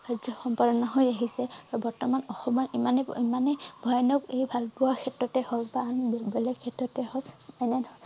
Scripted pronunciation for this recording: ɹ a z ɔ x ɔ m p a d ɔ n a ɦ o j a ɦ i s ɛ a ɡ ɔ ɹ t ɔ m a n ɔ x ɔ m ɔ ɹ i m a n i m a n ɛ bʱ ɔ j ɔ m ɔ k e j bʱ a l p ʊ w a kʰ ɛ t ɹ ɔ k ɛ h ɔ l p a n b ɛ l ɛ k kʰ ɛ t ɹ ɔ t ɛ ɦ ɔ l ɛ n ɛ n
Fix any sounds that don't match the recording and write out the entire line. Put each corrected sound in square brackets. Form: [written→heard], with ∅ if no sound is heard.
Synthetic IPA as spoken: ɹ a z ɔ x ɔ m p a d ɔ n a ɦ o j a ɦ i s ɛ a [ɡ→b] ɔ ɹ t ɔ m a n ɔ x ɔ m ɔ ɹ i m a n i m a n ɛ bʱ ɔ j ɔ [m→n] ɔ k e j bʱ a l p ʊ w a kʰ ɛ t ɹ ɔ [k→t] ɛ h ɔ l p a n b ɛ l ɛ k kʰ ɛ t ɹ ɔ t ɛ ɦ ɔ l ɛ n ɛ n